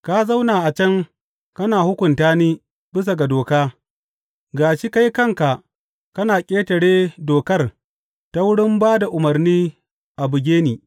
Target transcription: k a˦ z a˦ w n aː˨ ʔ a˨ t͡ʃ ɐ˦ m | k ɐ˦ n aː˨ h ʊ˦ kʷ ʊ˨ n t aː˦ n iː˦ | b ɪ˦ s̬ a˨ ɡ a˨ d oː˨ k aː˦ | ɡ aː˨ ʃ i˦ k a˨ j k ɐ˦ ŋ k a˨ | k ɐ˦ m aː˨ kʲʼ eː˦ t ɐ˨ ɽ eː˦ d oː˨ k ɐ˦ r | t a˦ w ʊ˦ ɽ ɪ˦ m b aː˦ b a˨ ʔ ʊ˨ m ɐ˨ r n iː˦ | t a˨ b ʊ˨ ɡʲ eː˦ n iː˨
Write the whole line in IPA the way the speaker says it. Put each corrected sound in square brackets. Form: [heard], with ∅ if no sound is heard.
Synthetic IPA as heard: k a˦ z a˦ w n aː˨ ʔ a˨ t͡ʃ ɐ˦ [ŋ] | k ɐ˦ n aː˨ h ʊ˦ kʷ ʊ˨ n t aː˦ n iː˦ | b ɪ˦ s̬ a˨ ɡ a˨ d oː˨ k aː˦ | ɡ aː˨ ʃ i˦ k [a˦] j k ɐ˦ ŋ k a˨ | k ɐ˦ [n] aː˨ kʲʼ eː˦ t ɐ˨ ɽ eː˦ d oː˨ k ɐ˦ r | t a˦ w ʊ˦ ɽ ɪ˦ m b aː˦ [d] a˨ ʔ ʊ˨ m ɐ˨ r n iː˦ | [ʔ] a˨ b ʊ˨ ɡʲ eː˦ n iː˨